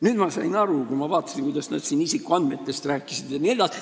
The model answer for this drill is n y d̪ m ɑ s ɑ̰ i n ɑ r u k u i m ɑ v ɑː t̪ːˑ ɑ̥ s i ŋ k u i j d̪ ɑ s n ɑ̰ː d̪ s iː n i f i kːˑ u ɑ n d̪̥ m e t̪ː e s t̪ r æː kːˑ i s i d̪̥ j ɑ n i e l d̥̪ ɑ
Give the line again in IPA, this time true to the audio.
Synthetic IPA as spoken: n y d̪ m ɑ s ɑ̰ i n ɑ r u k u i m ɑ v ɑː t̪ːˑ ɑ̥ s i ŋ k u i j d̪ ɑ s n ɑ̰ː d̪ s iː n i s i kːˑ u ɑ n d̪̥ m e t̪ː e s t̪ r æː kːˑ i s i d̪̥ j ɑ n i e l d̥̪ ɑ